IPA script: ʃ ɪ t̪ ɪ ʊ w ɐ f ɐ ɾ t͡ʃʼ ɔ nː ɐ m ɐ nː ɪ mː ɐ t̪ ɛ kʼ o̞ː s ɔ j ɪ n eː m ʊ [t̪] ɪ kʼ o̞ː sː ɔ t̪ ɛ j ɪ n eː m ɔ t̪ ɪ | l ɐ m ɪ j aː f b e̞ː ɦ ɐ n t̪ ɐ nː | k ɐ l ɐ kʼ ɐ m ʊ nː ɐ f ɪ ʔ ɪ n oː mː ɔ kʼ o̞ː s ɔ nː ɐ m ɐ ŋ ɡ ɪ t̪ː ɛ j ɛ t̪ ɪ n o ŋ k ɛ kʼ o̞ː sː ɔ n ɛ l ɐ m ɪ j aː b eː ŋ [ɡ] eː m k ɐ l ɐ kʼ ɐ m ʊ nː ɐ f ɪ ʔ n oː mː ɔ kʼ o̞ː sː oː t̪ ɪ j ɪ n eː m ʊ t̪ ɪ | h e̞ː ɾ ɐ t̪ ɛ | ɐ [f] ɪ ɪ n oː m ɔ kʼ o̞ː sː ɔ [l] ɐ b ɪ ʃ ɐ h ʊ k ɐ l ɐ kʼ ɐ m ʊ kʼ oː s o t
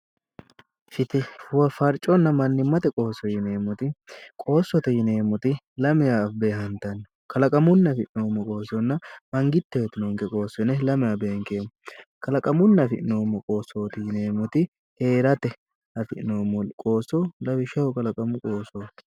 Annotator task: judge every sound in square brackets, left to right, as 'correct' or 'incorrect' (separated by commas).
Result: correct, incorrect, correct, correct